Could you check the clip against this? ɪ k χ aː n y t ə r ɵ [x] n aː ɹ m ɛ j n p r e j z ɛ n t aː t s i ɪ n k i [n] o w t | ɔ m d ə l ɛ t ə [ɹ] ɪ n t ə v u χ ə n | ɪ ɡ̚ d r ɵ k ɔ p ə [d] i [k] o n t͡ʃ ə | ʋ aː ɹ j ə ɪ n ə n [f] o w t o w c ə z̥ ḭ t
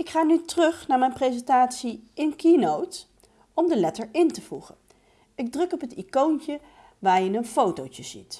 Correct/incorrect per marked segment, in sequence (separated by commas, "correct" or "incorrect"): incorrect, correct, correct, incorrect, correct, correct